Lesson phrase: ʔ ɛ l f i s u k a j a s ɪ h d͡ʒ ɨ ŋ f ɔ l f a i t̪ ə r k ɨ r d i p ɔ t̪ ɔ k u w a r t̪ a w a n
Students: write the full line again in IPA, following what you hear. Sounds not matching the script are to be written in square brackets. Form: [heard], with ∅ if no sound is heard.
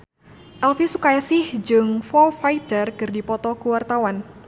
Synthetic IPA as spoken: ʔ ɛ l f i s u k a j a s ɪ h d͡ʒ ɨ ŋ f ɔ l f a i t̪ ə r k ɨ r d i p ɔ t̪ ɔ k u w a r t̪ a w a n